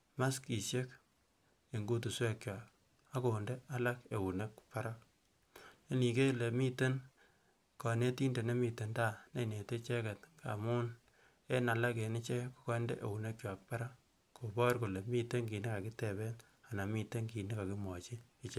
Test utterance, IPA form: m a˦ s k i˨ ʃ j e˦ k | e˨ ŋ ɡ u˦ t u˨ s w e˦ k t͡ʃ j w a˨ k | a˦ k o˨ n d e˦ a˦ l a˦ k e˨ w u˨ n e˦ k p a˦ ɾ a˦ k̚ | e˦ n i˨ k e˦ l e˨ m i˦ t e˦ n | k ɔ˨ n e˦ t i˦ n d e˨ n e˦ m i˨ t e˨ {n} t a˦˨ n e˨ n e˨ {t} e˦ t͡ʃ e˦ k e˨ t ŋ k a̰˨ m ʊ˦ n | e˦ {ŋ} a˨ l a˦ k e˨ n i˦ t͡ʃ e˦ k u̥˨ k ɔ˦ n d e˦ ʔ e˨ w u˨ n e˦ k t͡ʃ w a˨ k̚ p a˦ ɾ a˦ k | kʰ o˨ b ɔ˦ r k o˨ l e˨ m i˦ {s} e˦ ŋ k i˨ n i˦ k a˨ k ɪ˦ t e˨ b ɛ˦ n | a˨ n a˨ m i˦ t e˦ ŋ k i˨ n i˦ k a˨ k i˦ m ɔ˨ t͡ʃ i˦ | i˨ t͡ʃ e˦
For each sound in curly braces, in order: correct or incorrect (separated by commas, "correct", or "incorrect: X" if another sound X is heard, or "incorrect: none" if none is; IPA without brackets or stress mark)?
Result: correct, correct, incorrect: n, incorrect: t